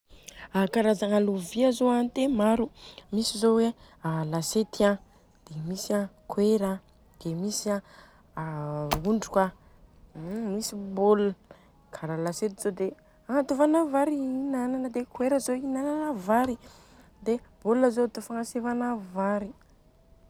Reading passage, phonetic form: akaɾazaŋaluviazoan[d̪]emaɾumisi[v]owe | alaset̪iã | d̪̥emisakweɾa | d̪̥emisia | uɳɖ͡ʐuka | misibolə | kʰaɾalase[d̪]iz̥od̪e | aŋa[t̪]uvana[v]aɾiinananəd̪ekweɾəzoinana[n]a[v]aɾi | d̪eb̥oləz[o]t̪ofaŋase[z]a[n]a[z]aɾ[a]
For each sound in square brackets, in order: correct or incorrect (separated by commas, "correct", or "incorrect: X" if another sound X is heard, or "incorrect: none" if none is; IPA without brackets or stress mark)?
incorrect: t̪, incorrect: z, incorrect: t̪, correct, correct, correct, correct, correct, incorrect: v, correct, incorrect: v, incorrect: i